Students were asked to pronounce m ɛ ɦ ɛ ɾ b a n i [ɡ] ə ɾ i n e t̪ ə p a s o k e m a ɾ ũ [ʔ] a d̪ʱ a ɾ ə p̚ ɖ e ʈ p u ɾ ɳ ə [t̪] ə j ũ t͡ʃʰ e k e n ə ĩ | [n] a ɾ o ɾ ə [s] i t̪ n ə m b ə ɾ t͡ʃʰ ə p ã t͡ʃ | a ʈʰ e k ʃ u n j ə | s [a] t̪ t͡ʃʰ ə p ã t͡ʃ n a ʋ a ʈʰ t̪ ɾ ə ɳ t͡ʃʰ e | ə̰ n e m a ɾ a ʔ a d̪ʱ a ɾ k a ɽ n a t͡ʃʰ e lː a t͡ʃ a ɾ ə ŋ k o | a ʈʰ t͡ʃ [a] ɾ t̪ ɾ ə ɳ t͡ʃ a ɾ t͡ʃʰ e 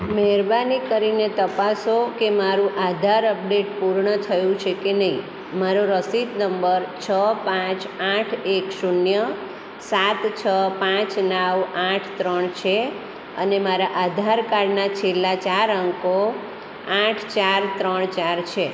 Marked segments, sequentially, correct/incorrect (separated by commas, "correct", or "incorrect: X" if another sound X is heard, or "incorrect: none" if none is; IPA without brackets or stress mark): incorrect: k, correct, incorrect: t̪ʰ, incorrect: m, correct, correct, correct